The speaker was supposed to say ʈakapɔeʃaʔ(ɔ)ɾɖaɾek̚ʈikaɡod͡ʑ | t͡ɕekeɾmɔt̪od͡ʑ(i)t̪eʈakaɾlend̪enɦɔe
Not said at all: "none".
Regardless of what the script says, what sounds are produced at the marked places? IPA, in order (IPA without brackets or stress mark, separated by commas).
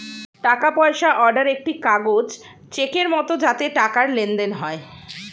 ɔ, a